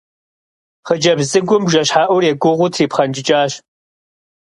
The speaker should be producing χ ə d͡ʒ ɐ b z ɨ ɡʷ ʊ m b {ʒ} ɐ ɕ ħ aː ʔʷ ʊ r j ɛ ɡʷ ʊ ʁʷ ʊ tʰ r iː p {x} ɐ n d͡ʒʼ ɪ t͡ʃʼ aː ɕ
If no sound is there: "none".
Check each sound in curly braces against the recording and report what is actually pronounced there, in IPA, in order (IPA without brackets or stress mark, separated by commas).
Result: ʒ, χ